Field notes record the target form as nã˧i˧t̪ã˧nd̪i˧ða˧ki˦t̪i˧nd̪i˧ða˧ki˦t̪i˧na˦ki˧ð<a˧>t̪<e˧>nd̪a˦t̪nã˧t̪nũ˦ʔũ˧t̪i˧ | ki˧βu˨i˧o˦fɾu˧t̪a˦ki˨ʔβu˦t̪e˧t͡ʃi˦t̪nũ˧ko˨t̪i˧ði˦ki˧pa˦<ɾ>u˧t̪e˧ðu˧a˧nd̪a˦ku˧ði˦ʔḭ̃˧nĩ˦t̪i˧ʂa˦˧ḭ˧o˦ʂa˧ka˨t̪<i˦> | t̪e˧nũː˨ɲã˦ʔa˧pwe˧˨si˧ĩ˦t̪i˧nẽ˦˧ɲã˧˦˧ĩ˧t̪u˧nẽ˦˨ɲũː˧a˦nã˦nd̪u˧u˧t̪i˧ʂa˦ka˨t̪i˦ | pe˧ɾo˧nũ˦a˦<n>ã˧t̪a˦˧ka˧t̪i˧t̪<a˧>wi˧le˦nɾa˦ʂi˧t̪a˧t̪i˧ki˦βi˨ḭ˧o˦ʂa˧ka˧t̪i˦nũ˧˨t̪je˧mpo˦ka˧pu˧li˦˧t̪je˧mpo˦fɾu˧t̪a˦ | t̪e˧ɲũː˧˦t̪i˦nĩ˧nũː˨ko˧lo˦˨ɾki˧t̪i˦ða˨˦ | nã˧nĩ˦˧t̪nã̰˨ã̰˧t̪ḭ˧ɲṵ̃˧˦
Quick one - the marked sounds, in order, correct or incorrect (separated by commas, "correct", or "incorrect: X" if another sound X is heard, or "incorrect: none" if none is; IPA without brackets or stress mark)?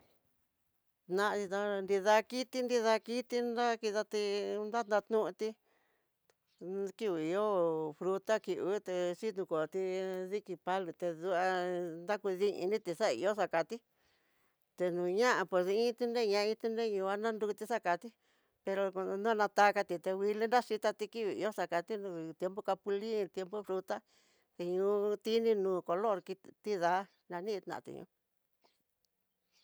correct, incorrect: i˧, incorrect: l, correct, correct, incorrect: e˧